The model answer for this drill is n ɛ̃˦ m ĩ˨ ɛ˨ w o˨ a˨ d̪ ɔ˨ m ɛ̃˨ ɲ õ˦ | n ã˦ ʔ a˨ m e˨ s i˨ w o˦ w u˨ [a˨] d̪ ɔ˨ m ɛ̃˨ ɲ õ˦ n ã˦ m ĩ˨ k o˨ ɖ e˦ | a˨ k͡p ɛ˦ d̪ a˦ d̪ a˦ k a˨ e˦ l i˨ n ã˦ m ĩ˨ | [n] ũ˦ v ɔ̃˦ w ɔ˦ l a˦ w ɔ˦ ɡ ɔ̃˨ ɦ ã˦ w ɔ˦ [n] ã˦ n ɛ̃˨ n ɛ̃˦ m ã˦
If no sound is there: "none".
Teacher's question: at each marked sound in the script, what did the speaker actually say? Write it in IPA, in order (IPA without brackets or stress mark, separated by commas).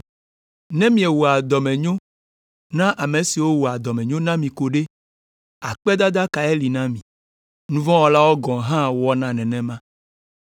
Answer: a˨, n, n